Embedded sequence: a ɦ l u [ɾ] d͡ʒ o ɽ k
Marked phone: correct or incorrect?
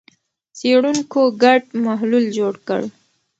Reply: incorrect: l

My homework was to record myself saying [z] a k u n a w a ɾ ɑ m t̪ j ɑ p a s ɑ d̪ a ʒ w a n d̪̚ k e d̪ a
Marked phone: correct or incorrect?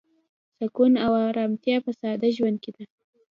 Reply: incorrect: s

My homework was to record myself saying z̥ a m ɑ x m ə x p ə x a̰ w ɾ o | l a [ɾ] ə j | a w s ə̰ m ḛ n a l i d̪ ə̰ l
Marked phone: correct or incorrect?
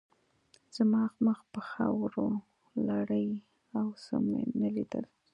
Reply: incorrect: ɽ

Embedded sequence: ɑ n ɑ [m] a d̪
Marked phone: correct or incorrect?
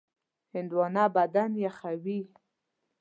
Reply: incorrect: b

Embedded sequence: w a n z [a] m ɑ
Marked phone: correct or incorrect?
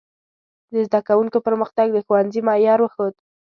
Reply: incorrect: i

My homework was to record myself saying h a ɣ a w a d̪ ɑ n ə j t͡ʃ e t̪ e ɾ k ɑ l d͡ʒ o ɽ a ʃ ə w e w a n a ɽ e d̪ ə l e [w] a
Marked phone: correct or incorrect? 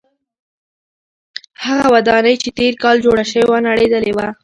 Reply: correct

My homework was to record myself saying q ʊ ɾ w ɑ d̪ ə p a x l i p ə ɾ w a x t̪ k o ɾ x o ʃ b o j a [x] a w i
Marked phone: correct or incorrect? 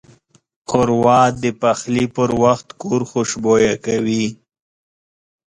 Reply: incorrect: k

